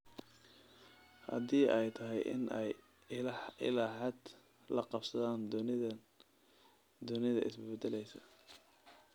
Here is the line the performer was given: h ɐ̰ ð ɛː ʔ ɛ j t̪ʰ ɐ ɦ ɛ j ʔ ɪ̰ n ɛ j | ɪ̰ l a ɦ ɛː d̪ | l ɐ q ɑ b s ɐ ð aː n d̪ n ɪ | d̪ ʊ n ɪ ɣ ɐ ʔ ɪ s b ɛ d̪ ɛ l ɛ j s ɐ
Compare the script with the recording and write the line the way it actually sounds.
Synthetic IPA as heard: h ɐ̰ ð iː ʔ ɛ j t̪ʰ ɐ ɦ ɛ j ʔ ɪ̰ n ɛ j | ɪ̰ l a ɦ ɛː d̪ | l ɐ q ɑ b s ɐ ð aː n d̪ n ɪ | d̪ ʊ n ɪ ð ɐ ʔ ɪ s b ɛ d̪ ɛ l ɛ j s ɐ